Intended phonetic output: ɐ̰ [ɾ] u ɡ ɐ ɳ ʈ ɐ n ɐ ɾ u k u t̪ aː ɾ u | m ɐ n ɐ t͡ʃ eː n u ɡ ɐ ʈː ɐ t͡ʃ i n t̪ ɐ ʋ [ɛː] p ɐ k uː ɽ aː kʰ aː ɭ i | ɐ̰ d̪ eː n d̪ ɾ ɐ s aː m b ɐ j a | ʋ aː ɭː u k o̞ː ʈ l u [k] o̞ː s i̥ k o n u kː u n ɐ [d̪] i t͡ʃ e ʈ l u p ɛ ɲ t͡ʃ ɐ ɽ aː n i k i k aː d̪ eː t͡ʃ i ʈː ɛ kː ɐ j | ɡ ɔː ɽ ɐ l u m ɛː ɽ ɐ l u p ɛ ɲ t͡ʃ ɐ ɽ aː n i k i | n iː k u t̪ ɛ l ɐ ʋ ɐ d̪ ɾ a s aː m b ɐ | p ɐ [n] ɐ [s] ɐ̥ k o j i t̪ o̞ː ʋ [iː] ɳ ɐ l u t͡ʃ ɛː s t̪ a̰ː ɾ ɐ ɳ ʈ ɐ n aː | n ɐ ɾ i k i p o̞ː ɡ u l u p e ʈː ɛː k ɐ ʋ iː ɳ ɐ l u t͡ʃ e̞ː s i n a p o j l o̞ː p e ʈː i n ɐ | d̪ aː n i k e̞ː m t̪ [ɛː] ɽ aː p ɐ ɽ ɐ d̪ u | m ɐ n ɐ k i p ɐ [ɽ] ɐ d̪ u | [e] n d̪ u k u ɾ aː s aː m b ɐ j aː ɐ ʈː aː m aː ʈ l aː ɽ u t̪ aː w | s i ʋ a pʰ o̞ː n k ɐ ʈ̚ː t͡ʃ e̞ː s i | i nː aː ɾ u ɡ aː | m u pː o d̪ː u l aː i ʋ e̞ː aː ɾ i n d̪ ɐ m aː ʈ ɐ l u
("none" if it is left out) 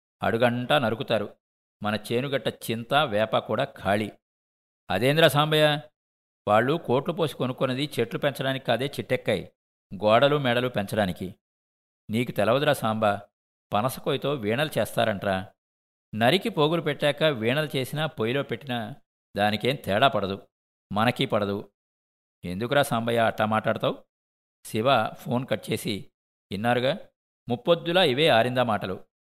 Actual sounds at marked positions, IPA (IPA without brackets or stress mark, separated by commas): ɽ, ɛː, p, d̪, n, s, iː, ɛː, ɽ, e